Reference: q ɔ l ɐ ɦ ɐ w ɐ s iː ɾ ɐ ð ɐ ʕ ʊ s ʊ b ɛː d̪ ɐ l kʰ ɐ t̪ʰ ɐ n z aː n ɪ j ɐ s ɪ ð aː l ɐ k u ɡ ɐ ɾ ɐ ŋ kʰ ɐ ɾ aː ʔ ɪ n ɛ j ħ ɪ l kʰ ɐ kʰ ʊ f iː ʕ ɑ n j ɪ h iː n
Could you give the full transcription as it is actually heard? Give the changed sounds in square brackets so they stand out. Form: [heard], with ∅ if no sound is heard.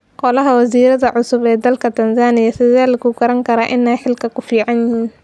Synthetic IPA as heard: q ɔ l ɐ ɦ ɐ w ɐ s iː ɾ ɐ ð ɐ ʕ ʊ s ʊ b ɛː d̪ ɐ l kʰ ɐ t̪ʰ ɐ n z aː n ɪ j ɐ s ɪ ð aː l ɐ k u ɡ ɐ ɾ ɐ ŋ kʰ ɐ ɾ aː ʔ ɪ n ɛ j ħ ɪ l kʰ ɐ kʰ ʊ f iː ʕ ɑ n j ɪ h iː n